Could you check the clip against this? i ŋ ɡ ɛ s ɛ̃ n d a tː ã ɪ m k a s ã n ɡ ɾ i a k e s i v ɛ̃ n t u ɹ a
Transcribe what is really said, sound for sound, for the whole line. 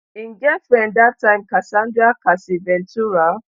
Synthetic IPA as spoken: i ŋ ɡ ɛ f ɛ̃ n d a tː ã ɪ m k a s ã n d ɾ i a k a s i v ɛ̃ n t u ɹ a